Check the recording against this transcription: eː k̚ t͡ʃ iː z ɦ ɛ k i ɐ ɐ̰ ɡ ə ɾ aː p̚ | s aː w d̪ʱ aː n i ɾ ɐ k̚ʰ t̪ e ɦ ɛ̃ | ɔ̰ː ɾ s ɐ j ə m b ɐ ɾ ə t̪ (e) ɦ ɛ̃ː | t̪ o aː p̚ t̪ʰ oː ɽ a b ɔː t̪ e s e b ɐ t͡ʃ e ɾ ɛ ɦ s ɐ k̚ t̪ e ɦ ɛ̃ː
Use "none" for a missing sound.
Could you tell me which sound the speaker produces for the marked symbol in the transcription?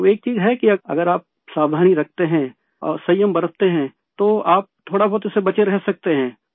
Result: e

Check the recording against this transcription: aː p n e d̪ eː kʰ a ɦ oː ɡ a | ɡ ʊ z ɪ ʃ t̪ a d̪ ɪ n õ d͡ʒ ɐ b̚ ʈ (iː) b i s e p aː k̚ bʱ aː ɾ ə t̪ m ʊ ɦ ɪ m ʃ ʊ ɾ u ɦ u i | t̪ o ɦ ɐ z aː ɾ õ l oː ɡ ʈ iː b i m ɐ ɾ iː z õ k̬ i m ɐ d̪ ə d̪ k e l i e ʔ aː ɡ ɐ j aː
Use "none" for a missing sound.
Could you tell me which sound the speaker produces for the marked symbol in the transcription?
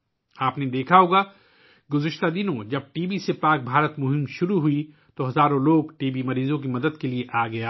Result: iː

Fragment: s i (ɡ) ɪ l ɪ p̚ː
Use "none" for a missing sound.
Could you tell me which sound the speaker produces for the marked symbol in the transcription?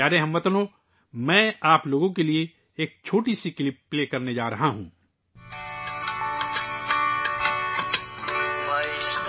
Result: k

